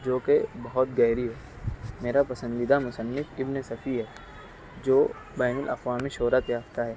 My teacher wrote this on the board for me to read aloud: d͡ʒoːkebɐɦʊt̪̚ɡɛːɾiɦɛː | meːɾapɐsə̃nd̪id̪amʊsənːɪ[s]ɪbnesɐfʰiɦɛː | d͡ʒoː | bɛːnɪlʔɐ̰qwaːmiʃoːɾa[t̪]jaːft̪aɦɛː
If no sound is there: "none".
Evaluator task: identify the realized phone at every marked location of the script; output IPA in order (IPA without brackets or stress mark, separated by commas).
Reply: f, t̪